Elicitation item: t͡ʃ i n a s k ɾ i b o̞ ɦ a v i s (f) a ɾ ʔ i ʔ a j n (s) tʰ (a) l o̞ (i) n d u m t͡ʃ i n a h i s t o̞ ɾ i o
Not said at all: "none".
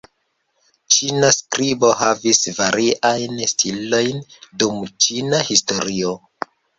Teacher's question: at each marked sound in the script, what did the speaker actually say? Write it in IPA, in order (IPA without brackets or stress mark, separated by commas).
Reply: v, s, i, j